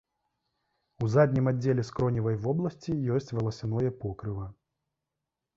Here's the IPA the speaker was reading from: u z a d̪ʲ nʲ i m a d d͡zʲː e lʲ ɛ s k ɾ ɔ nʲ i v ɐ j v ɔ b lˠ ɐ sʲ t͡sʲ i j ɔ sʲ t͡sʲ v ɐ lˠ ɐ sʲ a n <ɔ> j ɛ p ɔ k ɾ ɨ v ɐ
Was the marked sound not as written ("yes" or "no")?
no